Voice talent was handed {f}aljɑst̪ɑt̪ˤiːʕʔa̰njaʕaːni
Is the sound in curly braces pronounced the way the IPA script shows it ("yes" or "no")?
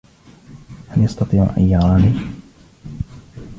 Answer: no